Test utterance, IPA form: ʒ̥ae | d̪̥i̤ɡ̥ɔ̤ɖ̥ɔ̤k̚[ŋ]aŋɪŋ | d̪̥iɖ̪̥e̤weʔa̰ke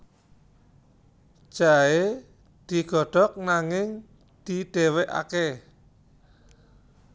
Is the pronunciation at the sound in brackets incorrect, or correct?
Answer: incorrect